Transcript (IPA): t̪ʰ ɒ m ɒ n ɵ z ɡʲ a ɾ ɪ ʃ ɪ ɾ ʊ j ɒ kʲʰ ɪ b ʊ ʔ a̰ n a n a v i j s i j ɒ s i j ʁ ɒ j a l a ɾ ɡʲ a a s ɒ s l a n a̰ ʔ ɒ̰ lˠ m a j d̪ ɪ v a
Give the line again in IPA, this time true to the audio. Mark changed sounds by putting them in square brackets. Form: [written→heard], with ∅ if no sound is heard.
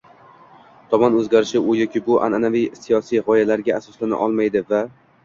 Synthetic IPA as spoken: t̪ʰ ɒ m ɒ n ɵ z ɡʲ a ɾ ɪ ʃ ɪ [ɾ→∅] ʊ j ɒ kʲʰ ɪ b ʊ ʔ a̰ n a n a v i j s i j ɒ s i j ʁ ɒ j a l a ɾ ɡʲ a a s ɒ s l a n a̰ ʔ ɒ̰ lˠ m a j d̪ ɪ v a